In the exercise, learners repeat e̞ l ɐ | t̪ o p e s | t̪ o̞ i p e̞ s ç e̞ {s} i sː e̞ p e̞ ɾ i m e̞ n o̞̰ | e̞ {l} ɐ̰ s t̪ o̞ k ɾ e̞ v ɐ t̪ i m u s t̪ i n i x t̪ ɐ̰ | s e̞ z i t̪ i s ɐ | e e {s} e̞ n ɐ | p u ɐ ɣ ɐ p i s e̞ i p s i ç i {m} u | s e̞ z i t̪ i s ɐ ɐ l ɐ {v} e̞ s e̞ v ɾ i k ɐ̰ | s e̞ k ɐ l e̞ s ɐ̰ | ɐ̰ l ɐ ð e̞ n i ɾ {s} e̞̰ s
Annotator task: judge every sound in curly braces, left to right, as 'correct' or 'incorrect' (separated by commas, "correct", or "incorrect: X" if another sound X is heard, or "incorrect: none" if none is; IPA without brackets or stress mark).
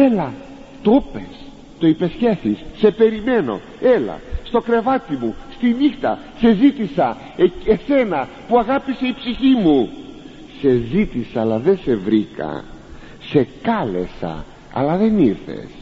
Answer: incorrect: θ, correct, correct, correct, incorrect: ð, incorrect: θ